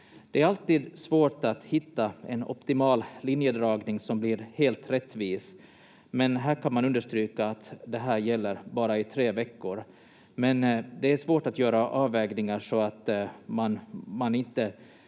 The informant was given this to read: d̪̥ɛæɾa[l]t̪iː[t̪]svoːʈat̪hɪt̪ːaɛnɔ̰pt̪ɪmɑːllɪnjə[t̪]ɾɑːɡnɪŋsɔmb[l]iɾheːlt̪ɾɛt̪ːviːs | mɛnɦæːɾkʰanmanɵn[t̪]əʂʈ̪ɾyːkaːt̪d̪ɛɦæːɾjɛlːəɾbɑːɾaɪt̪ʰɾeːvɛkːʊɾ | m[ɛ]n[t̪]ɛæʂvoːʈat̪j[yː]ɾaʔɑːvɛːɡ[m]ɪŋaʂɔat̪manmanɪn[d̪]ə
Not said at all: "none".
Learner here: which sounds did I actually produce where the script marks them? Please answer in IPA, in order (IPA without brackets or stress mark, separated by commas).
l, d̪, d̪, l, d̪, ɛ, d̪, œː, n, t̪